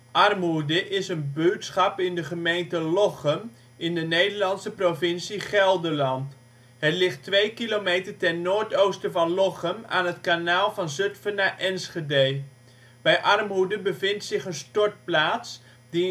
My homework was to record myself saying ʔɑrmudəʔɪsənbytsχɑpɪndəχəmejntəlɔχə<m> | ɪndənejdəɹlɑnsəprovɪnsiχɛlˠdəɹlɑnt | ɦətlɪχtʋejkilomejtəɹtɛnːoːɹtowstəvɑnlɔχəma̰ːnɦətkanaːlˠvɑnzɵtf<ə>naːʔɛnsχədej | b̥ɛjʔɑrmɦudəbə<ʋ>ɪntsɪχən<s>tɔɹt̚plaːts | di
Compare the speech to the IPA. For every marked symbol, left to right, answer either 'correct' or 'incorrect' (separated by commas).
correct, correct, incorrect, correct